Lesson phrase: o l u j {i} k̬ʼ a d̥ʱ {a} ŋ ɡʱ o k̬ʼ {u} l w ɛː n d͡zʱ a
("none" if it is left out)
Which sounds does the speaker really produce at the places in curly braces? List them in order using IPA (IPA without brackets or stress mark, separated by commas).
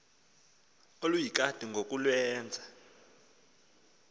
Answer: i, i, u